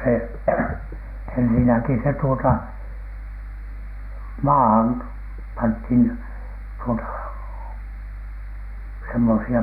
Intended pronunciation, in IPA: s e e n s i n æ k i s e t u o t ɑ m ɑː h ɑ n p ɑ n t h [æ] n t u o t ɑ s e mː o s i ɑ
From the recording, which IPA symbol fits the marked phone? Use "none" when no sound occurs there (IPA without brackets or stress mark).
i